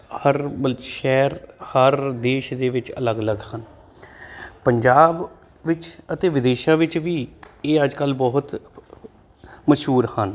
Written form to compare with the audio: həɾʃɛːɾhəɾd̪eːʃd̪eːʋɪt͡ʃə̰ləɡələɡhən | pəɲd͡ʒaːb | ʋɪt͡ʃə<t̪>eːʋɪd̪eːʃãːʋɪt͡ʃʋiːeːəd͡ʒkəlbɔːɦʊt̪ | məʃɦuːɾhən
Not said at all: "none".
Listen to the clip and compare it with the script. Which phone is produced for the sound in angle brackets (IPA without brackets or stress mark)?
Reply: t̪